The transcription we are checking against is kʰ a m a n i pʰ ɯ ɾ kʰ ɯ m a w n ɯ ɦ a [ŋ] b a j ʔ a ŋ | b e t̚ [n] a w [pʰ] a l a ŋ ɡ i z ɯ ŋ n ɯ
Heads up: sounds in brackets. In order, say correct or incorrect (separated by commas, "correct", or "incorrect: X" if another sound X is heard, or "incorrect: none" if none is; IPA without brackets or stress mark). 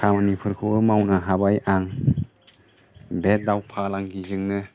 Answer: incorrect: none, incorrect: d, correct